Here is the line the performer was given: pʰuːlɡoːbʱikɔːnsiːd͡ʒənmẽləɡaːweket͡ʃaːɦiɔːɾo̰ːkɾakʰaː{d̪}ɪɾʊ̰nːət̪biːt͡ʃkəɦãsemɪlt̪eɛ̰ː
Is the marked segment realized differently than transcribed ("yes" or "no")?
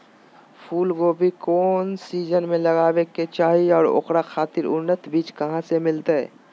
yes